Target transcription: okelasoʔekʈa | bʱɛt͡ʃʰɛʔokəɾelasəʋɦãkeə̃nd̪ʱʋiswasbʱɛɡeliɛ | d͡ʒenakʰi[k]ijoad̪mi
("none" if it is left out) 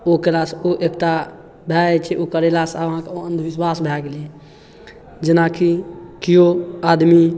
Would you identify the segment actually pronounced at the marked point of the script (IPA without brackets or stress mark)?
k